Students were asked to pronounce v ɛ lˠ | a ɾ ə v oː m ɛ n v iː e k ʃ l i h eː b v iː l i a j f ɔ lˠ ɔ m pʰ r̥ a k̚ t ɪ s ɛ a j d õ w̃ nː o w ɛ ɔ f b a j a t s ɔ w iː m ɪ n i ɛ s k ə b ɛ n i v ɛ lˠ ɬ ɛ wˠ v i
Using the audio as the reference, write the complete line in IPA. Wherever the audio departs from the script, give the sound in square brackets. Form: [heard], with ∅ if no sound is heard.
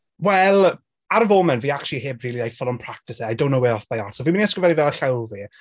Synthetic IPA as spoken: [w] ɛ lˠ | a ɾ ə v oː m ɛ n v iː [a] k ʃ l i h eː b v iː l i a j f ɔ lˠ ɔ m pʰ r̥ a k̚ t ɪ s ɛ a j d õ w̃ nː o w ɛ ɔ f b a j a t s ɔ [v] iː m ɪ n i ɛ s k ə [v] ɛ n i v ɛ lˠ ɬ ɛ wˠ v i